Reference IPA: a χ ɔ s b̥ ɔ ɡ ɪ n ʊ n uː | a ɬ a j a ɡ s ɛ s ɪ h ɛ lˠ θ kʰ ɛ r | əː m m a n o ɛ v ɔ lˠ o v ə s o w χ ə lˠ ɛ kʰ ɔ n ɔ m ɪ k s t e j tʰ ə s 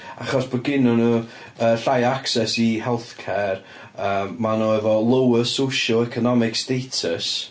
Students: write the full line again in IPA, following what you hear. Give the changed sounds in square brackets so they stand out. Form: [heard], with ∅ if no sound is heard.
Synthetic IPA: a χ ɔ s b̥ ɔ ɡ ɪ n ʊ n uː | [ə] ɬ a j a [k] s ɛ s [i] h ɛ lˠ θ kʰ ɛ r | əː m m a n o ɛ v ɔ lˠ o [w] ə s o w [ʃ] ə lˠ ɛ kʰ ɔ n ɔ m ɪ k s t e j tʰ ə s

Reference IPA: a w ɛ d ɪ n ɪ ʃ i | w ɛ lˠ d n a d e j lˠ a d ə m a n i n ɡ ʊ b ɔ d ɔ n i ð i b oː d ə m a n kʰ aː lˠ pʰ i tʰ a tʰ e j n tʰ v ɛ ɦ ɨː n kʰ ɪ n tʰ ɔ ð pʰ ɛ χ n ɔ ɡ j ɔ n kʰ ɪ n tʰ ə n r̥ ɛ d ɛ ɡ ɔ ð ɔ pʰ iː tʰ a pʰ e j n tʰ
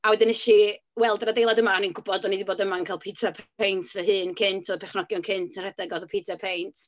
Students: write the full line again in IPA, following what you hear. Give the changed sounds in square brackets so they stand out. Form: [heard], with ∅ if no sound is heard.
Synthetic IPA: a w ɛ d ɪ n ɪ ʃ i | w ɛ lˠ d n a d e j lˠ a d ə m a n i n ɡ ʊ b ɔ d ɔ n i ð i b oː d ə m a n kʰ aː lˠ pʰ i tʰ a [pʰ] e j n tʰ v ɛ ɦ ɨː n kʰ ɪ n tʰ ɔ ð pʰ ɛ χ n ɔ ɡ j ɔ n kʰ ɪ n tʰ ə n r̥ ɛ d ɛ ɡ ɔ ð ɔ pʰ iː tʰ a pʰ e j n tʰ

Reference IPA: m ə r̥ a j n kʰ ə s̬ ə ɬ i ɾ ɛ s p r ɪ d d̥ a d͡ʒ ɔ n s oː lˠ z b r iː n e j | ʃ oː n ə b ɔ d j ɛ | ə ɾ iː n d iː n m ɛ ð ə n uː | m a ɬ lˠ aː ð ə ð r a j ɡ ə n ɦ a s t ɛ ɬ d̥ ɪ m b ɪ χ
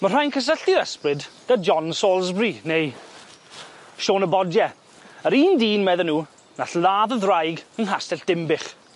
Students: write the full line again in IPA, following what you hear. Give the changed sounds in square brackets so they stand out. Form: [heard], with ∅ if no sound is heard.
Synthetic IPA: m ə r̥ a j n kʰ ə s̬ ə ɬ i ɾ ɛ s p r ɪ d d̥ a d͡ʒ ɔ n s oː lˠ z b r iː n e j | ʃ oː n ə b ɔ d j ɛ | ə ɾ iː n d iː n m ɛ ð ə n uː | [n] a ɬ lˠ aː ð ə ð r a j ɡ ə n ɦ a s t ɛ ɬ d̥ ɪ m b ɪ χ

